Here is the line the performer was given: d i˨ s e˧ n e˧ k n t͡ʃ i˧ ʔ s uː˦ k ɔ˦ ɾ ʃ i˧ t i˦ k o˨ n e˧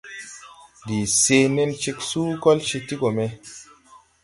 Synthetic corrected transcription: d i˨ s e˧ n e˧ n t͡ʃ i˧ k s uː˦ k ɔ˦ l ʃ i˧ t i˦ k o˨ m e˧